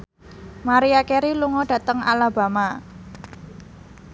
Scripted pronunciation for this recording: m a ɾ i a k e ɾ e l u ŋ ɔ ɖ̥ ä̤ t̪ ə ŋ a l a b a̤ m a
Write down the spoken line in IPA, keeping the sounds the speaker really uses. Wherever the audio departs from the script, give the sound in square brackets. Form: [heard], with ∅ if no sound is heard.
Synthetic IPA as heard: m a ɾ i a k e ɾ [i] l u ŋ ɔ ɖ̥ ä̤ t̪ ə ŋ a l a b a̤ m a